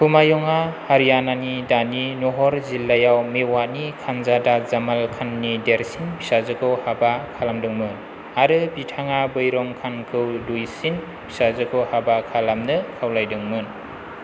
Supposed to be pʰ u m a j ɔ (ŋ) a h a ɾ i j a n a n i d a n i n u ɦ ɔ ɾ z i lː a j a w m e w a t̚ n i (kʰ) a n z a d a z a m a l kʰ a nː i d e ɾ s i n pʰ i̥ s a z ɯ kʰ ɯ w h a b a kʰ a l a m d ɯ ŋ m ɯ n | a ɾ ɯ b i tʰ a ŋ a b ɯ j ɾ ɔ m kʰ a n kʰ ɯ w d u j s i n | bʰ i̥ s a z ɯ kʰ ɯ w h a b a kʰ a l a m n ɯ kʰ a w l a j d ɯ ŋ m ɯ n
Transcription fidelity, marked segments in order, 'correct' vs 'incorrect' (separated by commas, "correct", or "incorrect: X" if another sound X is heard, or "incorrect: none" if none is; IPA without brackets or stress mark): correct, correct